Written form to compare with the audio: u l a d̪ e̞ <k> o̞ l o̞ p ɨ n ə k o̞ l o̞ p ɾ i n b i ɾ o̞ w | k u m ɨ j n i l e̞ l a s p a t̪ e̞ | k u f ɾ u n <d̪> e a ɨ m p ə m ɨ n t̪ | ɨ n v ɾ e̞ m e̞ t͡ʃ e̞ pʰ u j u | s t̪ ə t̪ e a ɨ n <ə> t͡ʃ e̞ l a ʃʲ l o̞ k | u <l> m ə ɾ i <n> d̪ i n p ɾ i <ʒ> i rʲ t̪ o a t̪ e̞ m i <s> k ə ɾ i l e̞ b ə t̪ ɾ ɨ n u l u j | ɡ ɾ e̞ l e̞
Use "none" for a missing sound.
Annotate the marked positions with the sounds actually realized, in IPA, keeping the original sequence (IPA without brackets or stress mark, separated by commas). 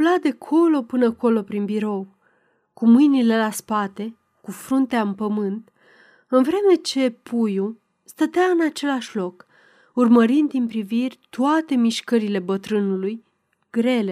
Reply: kʰ, t̪, a, r, n, v, ʃ